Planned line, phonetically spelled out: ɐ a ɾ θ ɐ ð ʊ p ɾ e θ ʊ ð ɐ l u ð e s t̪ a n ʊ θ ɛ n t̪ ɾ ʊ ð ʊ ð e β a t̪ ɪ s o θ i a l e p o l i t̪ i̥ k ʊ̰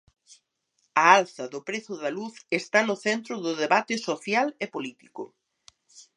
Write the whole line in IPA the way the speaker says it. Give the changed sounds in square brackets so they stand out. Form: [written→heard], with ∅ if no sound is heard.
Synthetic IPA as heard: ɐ a [ɾ→l] θ ɐ ð ʊ p ɾ e θ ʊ ð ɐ l u [ð→θ] e s t̪ a n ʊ θ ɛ n t̪ ɾ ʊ ð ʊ ð e β a t̪ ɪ s o θ [i→j] a l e p o l i t̪ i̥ k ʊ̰